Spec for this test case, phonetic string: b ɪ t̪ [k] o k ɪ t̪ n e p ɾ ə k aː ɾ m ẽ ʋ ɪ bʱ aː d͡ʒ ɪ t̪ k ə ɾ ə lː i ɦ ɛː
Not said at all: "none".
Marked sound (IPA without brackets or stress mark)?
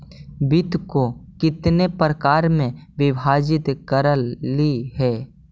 k